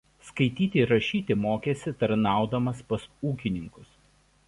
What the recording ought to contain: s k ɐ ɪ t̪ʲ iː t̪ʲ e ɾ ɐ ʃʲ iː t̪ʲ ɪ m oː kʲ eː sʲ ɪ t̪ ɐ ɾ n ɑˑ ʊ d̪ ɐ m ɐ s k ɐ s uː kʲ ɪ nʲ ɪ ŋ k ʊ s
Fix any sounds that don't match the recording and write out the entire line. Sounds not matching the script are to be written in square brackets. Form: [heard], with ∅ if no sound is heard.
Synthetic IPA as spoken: s k ɐ ɪ t̪ʲ iː t̪ʲ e ɾ ɐ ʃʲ iː t̪ʲ ɪ m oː kʲ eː sʲ ɪ t̪ ɐ ɾ n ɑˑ ʊ d̪ ɐ m ɐ s [p] ɐ s uː kʲ ɪ nʲ ɪ ŋ k ʊ s